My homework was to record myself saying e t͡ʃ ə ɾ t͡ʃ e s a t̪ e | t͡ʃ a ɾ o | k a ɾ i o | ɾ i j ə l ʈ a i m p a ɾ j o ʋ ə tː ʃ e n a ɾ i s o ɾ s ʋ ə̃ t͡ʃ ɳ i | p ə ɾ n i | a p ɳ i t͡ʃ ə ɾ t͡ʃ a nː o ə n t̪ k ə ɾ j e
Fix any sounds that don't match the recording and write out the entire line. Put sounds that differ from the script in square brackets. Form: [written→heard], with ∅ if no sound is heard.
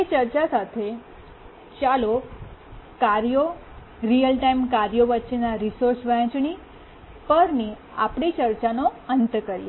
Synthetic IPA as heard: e t͡ʃ ə ɾ t͡ʃ [e→a] s a [t̪→t̪ʰ] e | t͡ʃ a [ɾ→l] o | k a ɾ [i→j] o | ɾ i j ə l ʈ a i m [p→k] a ɾ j o ʋ ə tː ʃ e n a ɾ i s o ɾ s ʋ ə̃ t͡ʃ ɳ i | p ə ɾ n i | a p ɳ i t͡ʃ ə ɾ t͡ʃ a [nː→n] o ə n t̪ k ə ɾ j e